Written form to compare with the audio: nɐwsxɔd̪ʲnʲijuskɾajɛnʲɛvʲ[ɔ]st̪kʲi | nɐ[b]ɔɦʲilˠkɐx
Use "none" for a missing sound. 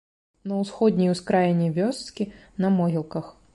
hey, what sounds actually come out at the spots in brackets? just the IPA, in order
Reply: ɔ, m

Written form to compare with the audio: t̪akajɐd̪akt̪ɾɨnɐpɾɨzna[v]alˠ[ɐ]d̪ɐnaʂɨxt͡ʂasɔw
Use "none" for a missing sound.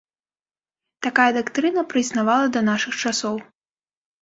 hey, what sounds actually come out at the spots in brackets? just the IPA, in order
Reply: v, ɐ

